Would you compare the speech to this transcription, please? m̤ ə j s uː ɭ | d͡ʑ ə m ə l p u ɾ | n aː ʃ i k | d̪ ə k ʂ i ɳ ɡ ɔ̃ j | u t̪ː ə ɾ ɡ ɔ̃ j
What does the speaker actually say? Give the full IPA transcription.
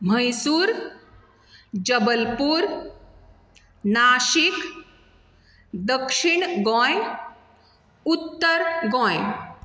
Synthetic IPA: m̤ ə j s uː ɾ | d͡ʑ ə b ə l p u ɾ | n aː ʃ i k | d̪ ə k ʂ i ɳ ɡ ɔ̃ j | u t̪ː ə ɾ ɡ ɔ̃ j